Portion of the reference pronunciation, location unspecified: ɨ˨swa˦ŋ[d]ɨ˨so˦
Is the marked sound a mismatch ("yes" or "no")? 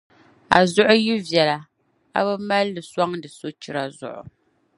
no